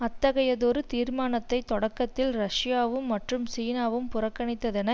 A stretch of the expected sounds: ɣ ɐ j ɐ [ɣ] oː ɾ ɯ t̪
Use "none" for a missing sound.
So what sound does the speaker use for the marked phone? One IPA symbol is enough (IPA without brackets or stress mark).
ð